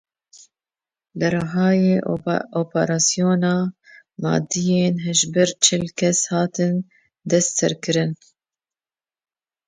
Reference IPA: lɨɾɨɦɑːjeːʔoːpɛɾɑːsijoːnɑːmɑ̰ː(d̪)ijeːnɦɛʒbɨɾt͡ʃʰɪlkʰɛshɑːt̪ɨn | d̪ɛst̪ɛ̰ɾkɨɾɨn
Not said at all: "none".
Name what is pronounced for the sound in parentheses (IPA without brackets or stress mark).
d̪